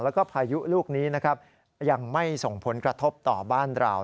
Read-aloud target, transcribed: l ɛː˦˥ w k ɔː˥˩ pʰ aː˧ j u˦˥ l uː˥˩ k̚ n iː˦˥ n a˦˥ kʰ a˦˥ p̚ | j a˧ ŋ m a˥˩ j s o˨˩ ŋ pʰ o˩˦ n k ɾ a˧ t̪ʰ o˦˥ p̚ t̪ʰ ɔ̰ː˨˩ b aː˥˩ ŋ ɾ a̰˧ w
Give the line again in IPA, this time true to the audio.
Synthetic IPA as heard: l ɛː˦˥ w k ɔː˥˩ pʰ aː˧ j u˦˥ l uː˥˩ k̚ n iː˦˥ n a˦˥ kʰ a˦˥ p̚ | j a˧ ŋ m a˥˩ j s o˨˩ ŋ pʰ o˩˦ n k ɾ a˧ t̪ʰ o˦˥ p̚ t̪ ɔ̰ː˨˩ b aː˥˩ n ɾ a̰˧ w

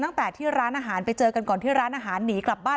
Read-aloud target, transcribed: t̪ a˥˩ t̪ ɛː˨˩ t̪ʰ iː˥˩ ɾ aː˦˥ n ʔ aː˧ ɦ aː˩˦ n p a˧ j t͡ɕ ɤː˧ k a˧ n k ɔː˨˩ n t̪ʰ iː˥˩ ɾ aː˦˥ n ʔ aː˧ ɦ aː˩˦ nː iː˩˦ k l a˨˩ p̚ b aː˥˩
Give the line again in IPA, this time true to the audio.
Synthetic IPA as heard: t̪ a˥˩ t̪ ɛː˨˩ t̪ʰ iː˥˩ ɾ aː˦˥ n ʔ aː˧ ɦ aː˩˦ n p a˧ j t͡ɕ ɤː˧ k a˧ n k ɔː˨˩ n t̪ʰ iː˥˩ ɾ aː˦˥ n ʔ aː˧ ɦ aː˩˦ nː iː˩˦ k l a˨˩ p̚ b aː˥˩

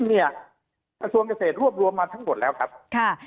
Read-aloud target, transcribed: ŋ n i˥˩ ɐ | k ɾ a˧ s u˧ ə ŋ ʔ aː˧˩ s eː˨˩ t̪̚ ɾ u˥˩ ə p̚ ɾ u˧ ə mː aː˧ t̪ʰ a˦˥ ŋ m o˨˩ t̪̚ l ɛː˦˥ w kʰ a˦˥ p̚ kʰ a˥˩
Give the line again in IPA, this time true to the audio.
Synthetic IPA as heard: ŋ n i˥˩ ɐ | k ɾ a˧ s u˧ ə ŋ k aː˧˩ s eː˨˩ t̪̚ ɾ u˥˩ ə p̚ ɾ u˧ ə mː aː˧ t̪ʰ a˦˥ ŋ m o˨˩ t̪̚ l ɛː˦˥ w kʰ a˦˥ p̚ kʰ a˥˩

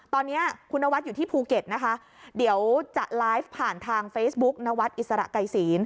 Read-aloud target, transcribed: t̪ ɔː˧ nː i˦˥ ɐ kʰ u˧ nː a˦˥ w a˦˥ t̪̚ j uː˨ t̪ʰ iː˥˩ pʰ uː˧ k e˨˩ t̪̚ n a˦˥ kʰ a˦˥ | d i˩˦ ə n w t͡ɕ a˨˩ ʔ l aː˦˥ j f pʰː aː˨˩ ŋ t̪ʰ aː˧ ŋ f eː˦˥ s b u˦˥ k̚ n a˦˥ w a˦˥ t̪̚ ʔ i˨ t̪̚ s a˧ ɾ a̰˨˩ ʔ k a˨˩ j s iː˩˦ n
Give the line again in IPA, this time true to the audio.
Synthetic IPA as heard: t̪ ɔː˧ nː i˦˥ ɐ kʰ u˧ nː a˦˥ w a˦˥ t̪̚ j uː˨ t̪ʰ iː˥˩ pʰ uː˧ k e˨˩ t̪̚ n a˦˥ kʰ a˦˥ | d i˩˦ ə w t͡ɕ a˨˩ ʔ l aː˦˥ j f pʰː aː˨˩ n t̪ʰ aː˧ ŋ f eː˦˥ s b u˦˥ k̚ n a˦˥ w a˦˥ t̪̚ ʔ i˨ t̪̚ s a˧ ɾ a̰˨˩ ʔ k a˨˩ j s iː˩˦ n

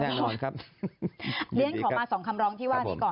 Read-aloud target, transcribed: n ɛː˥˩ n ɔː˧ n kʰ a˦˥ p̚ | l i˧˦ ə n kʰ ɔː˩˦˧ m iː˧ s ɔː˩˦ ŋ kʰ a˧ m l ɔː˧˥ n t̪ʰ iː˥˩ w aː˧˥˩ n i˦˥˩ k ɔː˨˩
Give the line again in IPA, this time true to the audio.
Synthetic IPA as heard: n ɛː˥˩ n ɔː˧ n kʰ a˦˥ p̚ | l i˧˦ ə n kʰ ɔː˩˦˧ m aː˧ s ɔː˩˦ ŋ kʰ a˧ m ɾ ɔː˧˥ ŋ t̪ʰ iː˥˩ w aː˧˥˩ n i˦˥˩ k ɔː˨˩

